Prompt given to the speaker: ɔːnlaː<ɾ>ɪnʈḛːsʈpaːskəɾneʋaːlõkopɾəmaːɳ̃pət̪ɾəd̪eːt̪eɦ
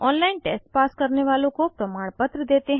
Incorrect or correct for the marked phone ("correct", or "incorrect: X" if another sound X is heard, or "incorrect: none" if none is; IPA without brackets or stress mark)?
incorrect: none